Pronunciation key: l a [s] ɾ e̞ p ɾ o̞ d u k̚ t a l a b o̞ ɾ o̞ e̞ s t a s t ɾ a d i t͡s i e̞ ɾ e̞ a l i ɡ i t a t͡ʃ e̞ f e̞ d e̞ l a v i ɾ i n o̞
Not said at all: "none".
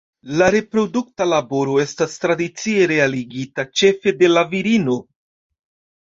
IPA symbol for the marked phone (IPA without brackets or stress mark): none